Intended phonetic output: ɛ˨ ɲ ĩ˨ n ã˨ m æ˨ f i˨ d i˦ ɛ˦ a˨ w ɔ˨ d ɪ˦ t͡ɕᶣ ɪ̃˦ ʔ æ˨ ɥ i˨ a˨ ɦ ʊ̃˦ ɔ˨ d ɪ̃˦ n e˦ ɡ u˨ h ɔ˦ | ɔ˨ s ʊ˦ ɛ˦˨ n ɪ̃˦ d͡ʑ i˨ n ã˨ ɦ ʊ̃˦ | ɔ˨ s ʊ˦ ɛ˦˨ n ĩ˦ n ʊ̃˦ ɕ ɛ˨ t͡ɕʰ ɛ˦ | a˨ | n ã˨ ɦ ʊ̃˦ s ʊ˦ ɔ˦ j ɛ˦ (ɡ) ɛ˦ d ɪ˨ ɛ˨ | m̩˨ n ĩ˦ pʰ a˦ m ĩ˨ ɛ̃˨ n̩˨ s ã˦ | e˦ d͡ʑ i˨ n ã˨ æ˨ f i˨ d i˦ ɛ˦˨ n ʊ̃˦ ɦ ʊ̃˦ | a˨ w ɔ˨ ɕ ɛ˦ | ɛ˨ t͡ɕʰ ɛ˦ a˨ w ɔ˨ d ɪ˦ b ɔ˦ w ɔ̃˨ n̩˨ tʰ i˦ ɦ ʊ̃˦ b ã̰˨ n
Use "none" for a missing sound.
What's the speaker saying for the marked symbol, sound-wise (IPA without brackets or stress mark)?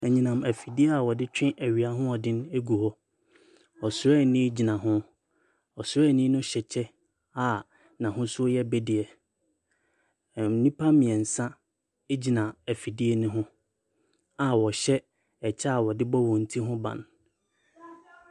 b